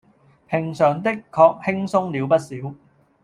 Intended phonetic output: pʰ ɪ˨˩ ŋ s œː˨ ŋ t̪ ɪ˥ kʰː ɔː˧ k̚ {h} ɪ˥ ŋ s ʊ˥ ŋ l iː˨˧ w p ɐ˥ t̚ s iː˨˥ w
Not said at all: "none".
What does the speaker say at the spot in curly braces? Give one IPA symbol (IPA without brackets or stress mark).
h